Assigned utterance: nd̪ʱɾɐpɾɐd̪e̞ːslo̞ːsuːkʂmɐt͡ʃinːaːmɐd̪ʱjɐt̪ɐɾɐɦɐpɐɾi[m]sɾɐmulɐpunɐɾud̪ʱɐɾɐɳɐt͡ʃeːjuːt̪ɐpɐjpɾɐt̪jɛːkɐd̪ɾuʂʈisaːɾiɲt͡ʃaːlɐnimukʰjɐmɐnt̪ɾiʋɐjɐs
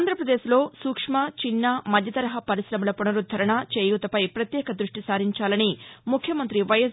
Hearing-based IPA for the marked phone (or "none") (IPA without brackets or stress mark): none